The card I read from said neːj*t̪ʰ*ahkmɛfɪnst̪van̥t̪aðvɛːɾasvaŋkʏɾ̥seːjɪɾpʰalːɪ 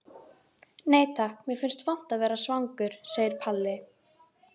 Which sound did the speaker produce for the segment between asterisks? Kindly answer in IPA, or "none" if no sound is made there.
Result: t̪ʰ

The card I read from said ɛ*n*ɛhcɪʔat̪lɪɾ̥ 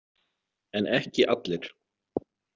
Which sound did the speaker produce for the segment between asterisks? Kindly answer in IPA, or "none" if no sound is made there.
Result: n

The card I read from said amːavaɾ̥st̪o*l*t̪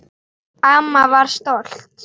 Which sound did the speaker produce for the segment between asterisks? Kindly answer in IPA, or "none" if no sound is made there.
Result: l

